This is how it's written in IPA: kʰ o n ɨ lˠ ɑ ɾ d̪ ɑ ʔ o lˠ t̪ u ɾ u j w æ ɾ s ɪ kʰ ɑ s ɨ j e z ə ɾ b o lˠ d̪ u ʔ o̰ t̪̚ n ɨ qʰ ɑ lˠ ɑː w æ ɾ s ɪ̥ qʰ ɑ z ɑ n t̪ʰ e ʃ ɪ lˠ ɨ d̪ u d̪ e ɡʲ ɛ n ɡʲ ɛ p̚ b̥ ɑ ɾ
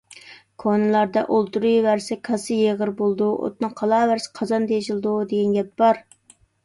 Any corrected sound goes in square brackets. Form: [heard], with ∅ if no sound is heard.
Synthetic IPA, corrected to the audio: kʰ o n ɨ lˠ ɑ ɾ d̪ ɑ ʔ o lˠ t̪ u ɾ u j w æ ɾ s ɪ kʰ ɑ s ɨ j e [ʁ] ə ɾ b o lˠ d̪ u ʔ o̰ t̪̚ n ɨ qʰ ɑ lˠ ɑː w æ ɾ s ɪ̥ qʰ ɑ z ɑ n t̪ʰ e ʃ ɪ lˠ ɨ d̪ u d̪ e ɡʲ ɛ n ɡʲ ɛ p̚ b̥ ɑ ɾ